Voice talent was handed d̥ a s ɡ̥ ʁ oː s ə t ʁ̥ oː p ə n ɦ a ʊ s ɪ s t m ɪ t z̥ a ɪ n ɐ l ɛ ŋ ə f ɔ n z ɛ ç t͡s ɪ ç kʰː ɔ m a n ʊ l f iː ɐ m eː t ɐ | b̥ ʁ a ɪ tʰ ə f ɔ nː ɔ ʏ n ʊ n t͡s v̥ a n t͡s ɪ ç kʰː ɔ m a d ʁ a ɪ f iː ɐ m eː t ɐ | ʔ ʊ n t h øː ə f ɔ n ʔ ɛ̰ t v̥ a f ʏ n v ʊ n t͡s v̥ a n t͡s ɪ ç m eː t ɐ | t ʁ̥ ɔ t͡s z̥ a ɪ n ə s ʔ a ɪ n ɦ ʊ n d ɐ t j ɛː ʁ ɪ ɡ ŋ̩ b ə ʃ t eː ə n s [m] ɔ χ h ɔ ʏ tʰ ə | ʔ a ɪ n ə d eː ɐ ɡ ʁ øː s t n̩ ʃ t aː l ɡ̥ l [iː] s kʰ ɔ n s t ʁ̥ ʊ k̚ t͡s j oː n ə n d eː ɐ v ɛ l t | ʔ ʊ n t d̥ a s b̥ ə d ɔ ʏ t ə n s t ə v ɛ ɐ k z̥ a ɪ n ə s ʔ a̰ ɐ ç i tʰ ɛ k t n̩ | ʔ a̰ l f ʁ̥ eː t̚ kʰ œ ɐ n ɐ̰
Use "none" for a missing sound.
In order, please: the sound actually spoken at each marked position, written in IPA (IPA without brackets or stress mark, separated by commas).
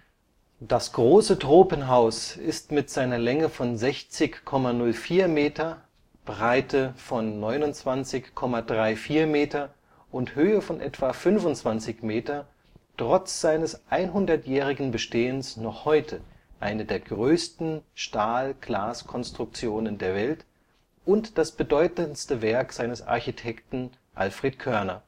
n, aː